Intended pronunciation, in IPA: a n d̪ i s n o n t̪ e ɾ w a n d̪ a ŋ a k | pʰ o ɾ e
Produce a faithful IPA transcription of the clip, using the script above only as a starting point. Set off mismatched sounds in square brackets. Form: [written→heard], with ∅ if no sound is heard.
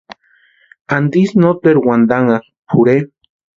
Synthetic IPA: a n d̪ i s n o [n→∅] t̪ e ɾ w a n d̪ a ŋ a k | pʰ [o→u] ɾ e